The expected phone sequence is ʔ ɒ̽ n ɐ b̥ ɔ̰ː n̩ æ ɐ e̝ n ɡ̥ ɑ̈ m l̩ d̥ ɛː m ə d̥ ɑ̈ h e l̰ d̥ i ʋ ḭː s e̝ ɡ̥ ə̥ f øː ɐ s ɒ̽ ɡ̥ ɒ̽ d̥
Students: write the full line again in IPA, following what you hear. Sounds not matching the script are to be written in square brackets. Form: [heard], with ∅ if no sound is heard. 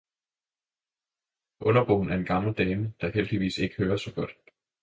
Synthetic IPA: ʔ [ɔ̽] n ɐ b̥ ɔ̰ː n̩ æ ɐ e̝ n ɡ̥ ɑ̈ m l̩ d̥ ɛː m ə d̥ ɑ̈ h e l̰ d̥ i ʋ ḭː s e̝ ɡ̥ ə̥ [h] øː ɐ s ɒ̽ ɡ̥ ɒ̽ d̥

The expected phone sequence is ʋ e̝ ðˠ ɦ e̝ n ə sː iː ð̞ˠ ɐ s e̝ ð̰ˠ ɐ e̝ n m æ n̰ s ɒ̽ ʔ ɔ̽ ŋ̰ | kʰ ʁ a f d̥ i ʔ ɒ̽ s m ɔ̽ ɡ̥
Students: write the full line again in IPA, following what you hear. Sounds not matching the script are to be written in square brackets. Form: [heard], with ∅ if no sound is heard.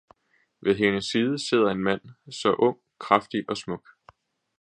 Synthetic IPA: ʋ e̝ ðˠ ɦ e̝ n ə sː iː ð̞ˠ [ə] s e̝ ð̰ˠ ɐ e̝ n m æ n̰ s ɒ̽ ʔ ɔ̽ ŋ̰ | kʰ ʁ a f d̥ i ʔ ɒ̽ s m ɔ̽ ɡ̥

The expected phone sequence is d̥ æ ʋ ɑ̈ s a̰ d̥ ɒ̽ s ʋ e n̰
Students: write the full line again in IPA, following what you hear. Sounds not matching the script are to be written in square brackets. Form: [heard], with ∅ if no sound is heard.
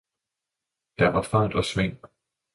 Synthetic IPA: d̥ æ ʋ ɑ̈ [f] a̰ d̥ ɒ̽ s ʋ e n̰

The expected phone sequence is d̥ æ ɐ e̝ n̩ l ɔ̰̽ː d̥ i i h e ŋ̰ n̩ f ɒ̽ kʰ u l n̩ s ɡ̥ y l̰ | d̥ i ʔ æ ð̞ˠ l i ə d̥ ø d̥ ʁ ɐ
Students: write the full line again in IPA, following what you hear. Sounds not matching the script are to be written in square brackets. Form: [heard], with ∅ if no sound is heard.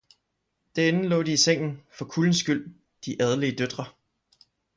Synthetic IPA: d̥ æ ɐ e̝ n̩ l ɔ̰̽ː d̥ i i [s] e ŋ̰ n̩ f ɒ̽ kʰ u l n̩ s ɡ̥ y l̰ | d̥ i ʔ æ ð̞ˠ l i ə d̥ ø d̥ ʁ ɐ

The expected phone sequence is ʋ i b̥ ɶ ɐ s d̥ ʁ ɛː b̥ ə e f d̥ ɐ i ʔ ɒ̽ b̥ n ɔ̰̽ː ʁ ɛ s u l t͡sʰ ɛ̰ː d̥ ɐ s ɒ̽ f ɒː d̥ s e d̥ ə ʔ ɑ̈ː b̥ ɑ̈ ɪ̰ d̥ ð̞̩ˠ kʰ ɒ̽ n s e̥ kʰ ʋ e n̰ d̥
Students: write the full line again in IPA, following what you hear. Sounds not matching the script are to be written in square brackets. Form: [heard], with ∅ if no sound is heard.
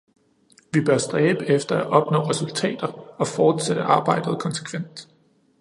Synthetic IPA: ʋ i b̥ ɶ ɐ s d̥ ʁ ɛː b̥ ə e f d̥ ɐ [æ] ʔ ɒ̽ b̥ n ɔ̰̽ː ʁ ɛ s u l t͡sʰ ɛ̰ː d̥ ɐ [∅] ɒ̽ f ɒː d̥ s e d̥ ə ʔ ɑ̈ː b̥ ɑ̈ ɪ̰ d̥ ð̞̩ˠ kʰ ɒ̽ n s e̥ kʰ ʋ e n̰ d̥

